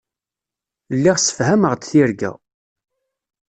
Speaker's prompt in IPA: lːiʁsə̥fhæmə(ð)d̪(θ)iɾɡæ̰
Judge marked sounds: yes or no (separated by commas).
no, yes